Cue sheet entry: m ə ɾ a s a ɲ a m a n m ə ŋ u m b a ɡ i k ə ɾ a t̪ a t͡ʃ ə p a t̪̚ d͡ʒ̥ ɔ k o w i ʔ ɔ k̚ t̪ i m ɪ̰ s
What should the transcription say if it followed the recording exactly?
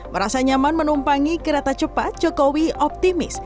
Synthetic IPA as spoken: m ə ɾ a s a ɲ a m a n m ə n u m p a ŋ i k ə ɾ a t̪ a t͡ʃ ə p a t̪̚ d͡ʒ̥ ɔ k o w i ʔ ɔ p̚ t̪ i m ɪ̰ s